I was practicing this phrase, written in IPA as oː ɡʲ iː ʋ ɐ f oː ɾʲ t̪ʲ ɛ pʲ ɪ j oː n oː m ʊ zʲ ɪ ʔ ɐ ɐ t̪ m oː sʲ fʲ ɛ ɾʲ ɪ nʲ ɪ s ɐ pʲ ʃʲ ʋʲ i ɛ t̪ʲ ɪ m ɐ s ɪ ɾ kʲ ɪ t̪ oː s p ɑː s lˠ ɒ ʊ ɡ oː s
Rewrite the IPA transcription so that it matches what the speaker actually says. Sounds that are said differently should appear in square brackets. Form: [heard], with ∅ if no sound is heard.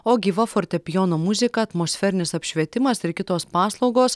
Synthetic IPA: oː ɡʲ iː ʋ ɐ f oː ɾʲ t̪ʲ ɛ pʲ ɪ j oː n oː m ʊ zʲ ɪ [k] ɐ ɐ t̪ m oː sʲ fʲ ɛ ɾʲ ɪ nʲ ɪ s ɐ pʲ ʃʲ ʋʲ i ɛ t̪ʲ ɪ m ɐ s ɪ ɾ kʲ ɪ t̪ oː s p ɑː s lˠ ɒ ʊ ɡ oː s